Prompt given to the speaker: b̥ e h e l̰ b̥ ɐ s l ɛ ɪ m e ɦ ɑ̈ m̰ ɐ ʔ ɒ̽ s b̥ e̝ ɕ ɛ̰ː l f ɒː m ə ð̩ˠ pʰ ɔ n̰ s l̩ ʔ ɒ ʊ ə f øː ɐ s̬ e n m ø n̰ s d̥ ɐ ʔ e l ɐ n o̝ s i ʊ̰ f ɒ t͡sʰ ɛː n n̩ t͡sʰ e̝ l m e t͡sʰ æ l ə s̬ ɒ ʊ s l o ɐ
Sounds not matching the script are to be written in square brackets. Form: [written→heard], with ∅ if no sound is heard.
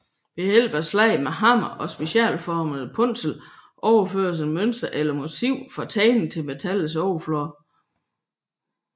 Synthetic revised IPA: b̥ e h e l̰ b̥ ɐ s l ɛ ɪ m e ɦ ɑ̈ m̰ ɐ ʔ ɒ̽ s b̥ e̝ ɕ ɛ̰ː l f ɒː m ə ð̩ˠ pʰ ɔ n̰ s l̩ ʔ ɒ ʊ [ə→ɐ] f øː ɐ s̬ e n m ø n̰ s d̥ ɐ ʔ e l ɐ [n→m] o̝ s i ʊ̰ f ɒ t͡sʰ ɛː n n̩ t͡sʰ e̝ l m e t͡sʰ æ l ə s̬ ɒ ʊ [s→f] l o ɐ